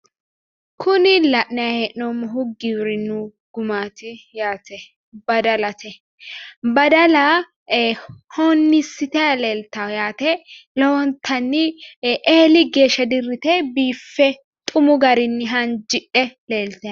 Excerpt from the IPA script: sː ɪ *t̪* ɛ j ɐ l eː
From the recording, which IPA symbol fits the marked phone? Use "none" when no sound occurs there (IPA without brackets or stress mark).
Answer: t̪